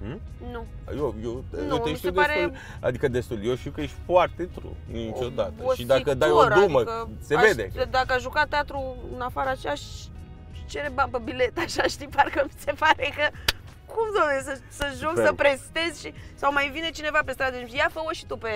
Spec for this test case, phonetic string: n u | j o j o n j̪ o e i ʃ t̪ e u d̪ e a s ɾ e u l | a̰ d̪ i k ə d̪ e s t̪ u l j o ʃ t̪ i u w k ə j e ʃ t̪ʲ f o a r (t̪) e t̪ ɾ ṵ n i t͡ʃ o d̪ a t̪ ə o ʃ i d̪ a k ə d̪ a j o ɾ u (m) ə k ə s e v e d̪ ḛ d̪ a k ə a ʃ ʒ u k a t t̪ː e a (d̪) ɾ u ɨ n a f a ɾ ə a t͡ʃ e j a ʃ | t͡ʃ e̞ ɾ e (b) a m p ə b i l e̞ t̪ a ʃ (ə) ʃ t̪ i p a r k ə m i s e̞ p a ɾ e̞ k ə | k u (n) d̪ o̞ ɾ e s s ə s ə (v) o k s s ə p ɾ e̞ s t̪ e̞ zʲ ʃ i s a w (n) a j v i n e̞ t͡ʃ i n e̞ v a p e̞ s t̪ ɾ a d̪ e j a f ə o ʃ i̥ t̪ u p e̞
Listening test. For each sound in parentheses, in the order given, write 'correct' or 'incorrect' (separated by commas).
correct, correct, incorrect, correct, incorrect, incorrect, incorrect, incorrect